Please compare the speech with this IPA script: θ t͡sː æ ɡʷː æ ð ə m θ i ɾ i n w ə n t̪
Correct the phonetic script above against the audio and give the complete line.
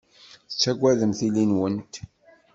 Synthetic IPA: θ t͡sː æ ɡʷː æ ð ə m θ i l i n w ə n t̪